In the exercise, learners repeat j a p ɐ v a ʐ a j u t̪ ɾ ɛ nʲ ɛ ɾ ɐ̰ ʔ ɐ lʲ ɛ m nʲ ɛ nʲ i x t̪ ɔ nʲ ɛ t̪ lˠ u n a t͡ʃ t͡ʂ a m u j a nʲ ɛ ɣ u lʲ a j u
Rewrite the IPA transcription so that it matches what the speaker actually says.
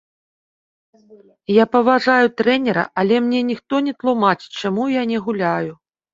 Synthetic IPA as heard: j a p ɐ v a ʐ a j u t̪ ɾ ɛ nʲ ɛ ɾ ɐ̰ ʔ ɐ lʲ ɛ m nʲ ɛ nʲ i x t̪ ɔ nʲ ɛ t̪ lˠ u m a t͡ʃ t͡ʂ a m u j a nʲ ɛ ɣ u lʲ a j u